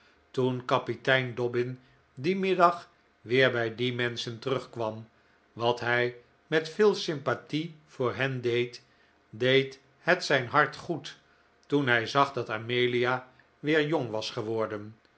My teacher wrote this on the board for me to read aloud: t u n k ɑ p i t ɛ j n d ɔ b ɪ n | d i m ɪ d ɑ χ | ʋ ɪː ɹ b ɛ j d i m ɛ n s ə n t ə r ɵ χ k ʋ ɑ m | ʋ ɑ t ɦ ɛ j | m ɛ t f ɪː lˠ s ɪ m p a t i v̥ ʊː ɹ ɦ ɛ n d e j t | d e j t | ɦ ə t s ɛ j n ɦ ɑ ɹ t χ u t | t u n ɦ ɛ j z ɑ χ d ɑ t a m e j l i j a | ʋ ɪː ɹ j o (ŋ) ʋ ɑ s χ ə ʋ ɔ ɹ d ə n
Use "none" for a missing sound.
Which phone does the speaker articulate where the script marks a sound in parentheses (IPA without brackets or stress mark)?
ŋ